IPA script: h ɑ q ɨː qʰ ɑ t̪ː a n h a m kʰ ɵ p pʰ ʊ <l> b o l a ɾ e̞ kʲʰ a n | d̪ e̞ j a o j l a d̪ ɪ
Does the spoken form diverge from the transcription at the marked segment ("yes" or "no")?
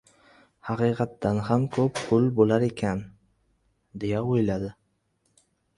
no